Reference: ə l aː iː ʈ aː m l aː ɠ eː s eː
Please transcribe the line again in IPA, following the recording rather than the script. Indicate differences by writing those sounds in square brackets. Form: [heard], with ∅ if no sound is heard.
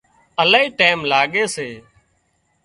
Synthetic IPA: ə l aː iː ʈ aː m l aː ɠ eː s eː